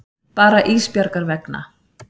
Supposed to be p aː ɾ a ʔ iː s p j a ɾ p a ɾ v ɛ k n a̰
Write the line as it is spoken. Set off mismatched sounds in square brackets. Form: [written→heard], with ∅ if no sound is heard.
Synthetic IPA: p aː ɾ a ʔ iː s p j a ɾ [p→k] a ɾ v ɛ k n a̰